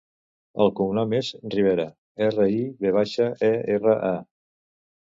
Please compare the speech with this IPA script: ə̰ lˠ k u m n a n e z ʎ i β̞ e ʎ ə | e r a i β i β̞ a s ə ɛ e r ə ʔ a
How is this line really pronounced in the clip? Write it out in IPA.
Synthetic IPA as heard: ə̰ lˠ k u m n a m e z r i β̞ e ɾ ə | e r ə i β e β̞ a ʃ ə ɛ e r ə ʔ a